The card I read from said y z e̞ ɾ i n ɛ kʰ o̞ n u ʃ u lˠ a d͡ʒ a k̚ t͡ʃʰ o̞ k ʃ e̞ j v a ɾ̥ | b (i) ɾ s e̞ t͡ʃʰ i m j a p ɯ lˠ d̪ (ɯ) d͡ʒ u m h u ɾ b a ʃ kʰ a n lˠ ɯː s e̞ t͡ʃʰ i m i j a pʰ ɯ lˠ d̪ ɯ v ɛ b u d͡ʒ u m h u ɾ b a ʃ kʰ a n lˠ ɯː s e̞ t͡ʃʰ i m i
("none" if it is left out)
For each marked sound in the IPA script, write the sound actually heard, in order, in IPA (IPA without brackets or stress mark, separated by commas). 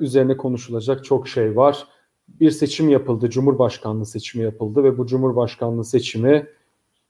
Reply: i, ɯ